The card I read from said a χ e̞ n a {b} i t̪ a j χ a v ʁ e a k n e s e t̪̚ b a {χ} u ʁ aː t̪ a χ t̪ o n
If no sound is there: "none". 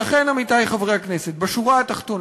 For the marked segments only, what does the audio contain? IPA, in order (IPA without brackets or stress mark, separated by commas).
m, ʃ